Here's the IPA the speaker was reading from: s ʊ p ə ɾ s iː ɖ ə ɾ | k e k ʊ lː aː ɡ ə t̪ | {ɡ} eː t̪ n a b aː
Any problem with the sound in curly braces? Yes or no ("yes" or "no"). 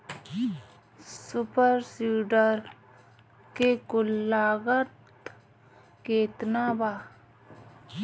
yes